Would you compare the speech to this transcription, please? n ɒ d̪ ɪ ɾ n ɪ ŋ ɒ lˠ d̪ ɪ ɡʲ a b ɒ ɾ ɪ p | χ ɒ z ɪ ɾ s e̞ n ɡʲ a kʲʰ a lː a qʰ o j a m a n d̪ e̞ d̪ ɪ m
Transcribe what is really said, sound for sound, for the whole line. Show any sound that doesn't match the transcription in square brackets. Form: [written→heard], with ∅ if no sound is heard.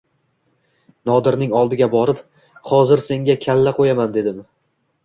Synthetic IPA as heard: n ɒ d̪ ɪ ɾ n ɪ ŋ ɒ lˠ d̪ ɪ ɡʲ a b ɒ ɾ ɪ p | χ ɒ z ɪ ɾ s e̞ [n→ŋ] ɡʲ a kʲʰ a lː a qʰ o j a m a n d̪ e̞ d̪ ɪ m